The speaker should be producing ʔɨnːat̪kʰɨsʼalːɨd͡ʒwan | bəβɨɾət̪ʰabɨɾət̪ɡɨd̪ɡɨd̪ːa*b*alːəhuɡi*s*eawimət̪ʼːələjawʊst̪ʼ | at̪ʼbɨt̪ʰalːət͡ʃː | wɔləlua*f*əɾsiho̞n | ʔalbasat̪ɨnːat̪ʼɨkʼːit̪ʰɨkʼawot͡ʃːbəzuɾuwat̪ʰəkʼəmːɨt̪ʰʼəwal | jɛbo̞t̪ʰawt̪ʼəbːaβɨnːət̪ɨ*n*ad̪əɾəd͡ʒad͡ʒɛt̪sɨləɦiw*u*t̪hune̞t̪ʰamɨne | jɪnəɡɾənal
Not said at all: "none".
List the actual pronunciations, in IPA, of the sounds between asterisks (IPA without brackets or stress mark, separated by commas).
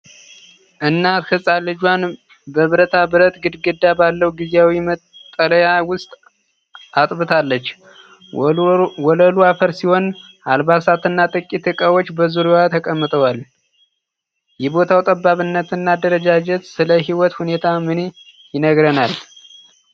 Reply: b, z, f, nː, ɔ